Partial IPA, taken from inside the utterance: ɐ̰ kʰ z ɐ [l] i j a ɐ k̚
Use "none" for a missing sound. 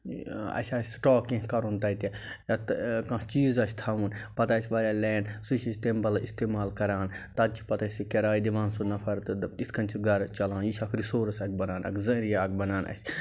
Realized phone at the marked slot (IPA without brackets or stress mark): ɾ